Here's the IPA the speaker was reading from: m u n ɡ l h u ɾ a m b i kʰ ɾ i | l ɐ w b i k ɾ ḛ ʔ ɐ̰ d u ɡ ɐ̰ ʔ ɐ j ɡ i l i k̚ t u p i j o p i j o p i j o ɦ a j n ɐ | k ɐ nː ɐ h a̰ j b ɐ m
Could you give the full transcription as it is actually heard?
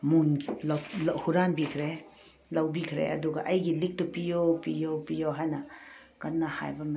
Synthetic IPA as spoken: m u n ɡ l h u ɾ a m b i kʰ ɾ e | l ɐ w b i kʰ ɾ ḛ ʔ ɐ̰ d u ɡ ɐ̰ ʔ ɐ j ɡ i l i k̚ t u p i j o p i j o p i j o ɦ a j n ɐ | k ɐ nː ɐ h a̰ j b ɐ m